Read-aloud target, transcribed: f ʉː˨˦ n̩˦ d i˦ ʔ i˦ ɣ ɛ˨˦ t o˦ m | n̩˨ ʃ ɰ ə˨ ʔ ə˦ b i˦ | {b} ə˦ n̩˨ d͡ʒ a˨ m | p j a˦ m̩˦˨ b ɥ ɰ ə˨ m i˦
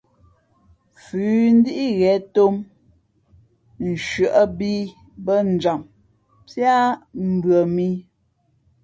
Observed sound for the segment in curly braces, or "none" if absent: b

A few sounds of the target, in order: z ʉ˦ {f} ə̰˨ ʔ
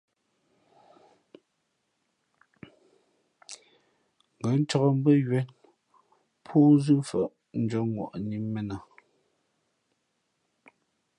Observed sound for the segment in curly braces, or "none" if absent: f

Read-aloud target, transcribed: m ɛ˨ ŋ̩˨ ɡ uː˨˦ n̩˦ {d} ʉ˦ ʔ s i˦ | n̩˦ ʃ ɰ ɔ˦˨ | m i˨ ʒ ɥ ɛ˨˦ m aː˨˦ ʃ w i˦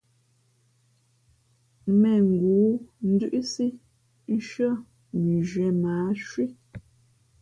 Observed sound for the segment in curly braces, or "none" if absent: d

